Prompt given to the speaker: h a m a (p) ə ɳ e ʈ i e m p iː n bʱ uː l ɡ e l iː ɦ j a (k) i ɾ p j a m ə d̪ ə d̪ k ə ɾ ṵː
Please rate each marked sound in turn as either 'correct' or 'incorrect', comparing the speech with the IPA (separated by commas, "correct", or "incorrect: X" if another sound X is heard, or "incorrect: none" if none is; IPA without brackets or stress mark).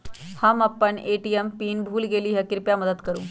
correct, correct